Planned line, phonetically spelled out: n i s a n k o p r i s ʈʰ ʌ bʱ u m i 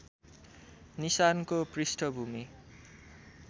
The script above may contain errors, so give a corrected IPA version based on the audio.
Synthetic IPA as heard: n i s a n k o p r i s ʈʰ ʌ bʱ u m i